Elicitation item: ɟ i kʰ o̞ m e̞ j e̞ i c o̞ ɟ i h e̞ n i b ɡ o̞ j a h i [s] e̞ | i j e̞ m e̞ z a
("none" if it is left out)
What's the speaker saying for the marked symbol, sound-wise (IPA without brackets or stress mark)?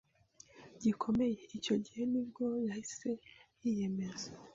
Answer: s